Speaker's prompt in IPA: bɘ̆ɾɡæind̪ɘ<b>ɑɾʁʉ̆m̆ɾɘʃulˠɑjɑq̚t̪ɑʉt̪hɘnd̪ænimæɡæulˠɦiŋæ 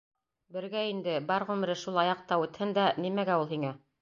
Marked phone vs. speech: correct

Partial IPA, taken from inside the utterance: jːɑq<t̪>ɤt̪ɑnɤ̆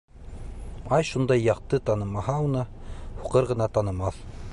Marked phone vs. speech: correct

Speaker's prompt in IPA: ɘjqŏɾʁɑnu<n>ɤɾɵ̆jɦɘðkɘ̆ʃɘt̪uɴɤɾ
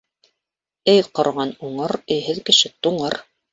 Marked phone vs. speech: incorrect: ɴ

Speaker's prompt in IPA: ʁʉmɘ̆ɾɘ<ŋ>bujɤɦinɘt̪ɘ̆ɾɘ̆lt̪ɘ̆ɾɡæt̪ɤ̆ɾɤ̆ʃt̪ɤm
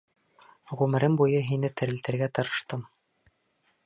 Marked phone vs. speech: incorrect: m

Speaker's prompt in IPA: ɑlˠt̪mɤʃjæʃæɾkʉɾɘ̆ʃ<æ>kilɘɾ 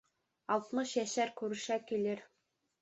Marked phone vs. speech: correct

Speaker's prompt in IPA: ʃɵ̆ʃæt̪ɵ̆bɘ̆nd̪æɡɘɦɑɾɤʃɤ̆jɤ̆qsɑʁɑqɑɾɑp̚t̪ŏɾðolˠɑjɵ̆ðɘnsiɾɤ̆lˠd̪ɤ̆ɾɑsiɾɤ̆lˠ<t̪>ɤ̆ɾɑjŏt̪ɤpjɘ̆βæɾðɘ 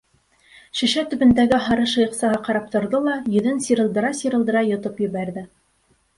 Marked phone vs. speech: incorrect: d̪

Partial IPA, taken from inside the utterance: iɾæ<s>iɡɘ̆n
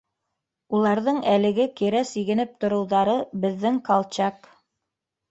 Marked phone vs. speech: correct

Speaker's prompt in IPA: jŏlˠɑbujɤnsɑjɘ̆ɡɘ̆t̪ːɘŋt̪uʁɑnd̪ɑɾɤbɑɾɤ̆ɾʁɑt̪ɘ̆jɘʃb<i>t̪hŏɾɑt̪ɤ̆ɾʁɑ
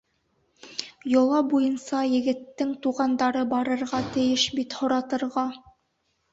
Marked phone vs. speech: correct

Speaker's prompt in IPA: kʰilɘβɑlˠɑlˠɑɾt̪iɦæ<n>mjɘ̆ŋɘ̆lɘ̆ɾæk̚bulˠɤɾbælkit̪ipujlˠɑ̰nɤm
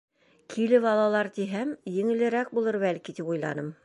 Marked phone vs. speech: incorrect: none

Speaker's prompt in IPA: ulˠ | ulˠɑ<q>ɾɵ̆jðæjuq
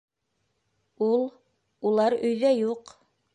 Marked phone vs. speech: incorrect: none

